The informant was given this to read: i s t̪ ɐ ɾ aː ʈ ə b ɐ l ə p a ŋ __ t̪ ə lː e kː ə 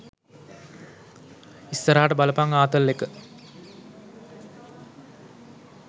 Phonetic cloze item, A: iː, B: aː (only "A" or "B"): B